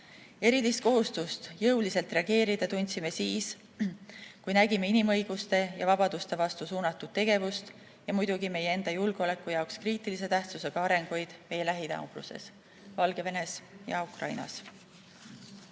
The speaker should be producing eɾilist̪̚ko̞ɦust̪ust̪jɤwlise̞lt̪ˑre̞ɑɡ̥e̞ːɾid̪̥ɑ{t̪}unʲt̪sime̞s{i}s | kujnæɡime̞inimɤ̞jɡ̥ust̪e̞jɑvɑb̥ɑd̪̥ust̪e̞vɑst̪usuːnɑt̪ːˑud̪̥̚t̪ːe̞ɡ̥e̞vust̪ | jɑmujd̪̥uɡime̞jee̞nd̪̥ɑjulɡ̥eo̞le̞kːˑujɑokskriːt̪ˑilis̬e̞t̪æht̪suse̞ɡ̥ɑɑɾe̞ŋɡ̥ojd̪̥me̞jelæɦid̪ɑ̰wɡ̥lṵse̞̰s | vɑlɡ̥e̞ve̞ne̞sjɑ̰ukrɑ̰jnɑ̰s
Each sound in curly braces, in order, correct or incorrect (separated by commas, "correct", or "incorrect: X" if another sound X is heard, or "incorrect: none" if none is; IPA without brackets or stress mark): correct, incorrect: iː